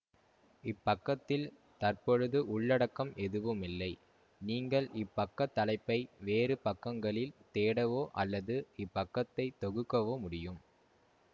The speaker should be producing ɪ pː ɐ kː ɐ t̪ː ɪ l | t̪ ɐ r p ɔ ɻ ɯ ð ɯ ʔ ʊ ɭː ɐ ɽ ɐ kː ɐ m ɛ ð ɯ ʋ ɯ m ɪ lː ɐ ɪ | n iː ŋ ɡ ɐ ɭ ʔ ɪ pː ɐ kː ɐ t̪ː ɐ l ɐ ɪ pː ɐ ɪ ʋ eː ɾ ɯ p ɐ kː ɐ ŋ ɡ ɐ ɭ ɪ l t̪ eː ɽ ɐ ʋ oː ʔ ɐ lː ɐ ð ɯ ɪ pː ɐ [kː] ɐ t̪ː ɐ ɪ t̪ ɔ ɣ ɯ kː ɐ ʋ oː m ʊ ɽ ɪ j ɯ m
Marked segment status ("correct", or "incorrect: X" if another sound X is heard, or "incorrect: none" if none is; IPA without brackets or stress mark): correct